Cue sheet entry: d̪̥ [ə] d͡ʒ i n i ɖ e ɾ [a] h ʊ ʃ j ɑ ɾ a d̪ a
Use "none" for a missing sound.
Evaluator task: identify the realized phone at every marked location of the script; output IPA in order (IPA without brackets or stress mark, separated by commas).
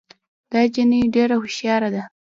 ɑ, a